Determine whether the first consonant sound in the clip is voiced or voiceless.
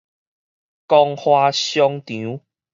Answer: voiceless